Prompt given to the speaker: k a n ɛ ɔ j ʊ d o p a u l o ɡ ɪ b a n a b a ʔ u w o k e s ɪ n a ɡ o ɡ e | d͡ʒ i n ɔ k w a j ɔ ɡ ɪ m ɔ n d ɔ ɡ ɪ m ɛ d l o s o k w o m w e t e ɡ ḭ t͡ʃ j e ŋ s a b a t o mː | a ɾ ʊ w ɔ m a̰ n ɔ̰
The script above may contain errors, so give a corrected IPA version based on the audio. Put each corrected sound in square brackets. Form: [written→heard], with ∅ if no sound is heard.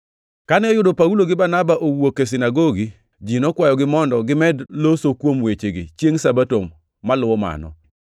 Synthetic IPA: k a n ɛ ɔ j ʊ d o p a u l o ɡ ɪ b a n a b a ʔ [u→o] w o k e s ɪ n a ɡ o ɡ [e→i] | d͡ʒ i n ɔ k w a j ɔ ɡ ɪ m ɔ n d ɔ ɡ ɪ m ɛ d l o s o k w o m w e [t→t͡ʃ] e ɡ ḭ t͡ʃ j e ŋ s a b a t o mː | a [ɾ→l] ʊ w ɔ m a̰ n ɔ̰